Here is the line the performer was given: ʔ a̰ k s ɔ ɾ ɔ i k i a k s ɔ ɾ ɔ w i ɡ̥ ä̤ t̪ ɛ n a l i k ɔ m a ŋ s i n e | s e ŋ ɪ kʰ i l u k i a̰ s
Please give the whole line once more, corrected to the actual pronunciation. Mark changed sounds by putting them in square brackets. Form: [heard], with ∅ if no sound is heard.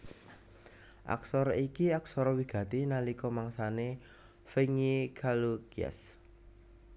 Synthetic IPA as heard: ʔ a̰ k s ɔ ɾ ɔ i k i a k s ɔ ɾ ɔ w i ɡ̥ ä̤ t̪ [i] n a l i k ɔ m a ŋ s [a] n e | [f] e ŋ [i] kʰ [a] l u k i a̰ s